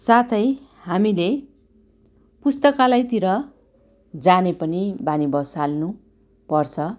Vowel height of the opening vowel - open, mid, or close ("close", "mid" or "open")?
open